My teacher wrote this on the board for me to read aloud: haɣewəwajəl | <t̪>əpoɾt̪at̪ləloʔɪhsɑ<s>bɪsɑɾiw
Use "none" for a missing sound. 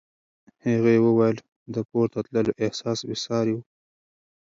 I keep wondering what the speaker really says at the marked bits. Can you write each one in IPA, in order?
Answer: d̪, s

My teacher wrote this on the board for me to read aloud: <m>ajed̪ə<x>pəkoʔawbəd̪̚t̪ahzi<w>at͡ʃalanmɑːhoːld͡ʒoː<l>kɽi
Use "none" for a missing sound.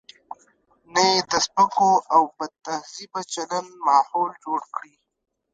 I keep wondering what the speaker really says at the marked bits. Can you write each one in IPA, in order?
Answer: n, s, b, ɽ

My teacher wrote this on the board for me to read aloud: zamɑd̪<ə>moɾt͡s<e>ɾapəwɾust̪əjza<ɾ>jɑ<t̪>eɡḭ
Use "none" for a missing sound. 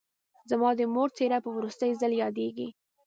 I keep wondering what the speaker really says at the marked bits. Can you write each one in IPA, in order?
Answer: ə, e, l, d̪

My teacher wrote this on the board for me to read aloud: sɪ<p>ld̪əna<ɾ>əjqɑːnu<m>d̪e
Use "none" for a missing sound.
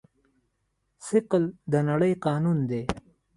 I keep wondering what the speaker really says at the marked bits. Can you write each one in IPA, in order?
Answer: q, ɽ, n

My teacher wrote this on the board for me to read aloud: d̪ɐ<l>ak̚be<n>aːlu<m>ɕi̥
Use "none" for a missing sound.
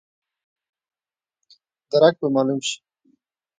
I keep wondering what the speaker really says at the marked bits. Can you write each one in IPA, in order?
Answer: ɾ, m, m

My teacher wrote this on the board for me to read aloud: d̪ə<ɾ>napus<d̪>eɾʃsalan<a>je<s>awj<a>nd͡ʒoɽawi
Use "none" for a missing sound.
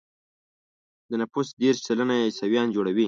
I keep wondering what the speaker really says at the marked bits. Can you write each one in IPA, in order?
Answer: none, d̪, a, s, ɑ

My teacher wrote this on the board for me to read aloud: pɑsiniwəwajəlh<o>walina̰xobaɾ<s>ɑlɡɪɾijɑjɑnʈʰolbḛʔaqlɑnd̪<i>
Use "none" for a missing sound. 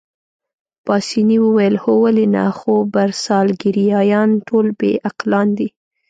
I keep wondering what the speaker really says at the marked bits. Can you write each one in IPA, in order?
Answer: o, s, i

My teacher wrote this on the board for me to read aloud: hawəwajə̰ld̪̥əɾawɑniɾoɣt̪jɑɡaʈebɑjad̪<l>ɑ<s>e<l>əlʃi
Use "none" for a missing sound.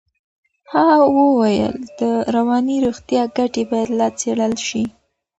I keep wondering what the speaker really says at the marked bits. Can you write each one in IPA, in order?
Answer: l, t͡s, ɽ

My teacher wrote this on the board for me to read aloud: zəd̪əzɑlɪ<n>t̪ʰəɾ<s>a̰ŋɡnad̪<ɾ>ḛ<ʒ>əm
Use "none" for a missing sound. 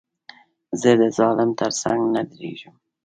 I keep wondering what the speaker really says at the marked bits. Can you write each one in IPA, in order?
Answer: m, s, ɾ, ʒ

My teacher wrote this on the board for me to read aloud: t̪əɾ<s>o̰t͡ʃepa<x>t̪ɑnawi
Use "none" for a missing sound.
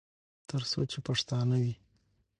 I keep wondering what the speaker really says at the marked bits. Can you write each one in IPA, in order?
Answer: s, ʂ

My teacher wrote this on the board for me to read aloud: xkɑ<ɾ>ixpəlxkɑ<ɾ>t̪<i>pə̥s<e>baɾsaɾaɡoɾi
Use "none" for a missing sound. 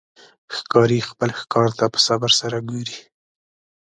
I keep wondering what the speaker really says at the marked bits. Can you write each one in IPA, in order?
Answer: ɾ, ɾ, a, a

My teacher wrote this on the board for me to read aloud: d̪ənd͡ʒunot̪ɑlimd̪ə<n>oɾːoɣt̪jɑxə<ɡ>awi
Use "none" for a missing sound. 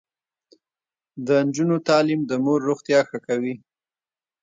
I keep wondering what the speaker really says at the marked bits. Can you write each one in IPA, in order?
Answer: m, k

